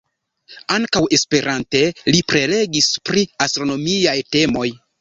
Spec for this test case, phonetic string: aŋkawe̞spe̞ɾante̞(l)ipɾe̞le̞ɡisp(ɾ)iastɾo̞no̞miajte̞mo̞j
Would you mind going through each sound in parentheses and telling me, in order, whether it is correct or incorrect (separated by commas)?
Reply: correct, correct